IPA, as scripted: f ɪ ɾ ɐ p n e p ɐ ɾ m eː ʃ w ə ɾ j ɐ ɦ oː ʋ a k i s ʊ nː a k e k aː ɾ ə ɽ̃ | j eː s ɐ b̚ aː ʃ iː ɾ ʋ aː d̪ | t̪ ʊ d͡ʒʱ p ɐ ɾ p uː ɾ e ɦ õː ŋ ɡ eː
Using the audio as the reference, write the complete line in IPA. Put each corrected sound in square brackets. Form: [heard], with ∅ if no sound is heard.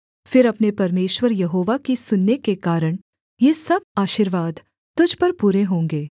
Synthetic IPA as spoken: f ɪ ɾ ɐ p n e p ɐ ɾ m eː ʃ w ə ɾ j ɐ ɦ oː ʋ a k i s ʊ nː [e] k e k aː ɾ ə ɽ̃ | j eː s ɐ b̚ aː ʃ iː ɾ ʋ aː d̪ | t̪ ʊ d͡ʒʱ p ɐ ɾ p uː ɾ e ɦ õː ŋ ɡ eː